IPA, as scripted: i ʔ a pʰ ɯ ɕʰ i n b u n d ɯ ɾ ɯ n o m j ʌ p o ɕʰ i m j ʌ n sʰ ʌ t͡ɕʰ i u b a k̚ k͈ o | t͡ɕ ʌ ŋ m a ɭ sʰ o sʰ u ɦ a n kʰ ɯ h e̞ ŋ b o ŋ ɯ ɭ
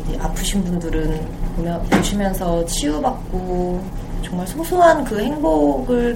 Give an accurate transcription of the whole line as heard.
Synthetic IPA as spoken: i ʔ a pʰ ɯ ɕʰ i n b u n d ɯ ɾ ɯ n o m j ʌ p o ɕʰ i m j ʌ n sʰ ʌ t͡ɕʰ i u b a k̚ k͈ o | t͡ɕ ʌ ŋ m a ɭ sʰ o sʰ u ɦ a n k ɯ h e̞ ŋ b o ɡ ɯ ɭ